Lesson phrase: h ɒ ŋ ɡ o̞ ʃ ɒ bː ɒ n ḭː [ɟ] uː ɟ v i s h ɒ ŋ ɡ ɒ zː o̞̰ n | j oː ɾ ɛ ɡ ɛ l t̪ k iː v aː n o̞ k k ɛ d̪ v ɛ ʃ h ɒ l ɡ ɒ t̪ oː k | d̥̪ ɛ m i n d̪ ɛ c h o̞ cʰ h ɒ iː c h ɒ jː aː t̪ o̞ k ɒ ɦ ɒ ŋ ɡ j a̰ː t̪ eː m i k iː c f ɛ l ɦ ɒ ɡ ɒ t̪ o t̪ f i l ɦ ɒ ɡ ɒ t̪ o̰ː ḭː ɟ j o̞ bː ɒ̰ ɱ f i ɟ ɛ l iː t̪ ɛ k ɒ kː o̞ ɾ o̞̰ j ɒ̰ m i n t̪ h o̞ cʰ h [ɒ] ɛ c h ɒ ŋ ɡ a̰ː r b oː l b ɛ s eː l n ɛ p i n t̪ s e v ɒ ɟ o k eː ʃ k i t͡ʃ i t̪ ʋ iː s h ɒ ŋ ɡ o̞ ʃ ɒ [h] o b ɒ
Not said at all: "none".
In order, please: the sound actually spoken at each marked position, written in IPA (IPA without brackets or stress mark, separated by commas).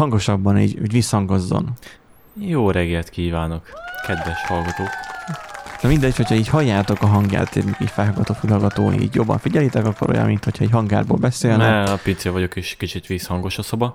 ɟ, ɒ, s